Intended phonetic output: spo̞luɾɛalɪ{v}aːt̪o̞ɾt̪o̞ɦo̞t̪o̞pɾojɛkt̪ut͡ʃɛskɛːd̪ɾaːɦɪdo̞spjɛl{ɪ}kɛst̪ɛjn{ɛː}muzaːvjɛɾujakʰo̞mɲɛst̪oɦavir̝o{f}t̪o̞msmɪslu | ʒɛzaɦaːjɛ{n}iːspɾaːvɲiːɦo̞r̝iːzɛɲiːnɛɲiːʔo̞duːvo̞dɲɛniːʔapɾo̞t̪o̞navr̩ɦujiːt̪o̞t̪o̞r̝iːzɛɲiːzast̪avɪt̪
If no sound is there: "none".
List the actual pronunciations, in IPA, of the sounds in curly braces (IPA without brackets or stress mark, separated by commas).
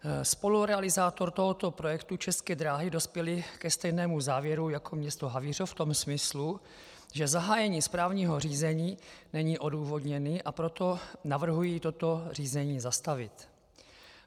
z, ɪ, ɛː, f, ɲ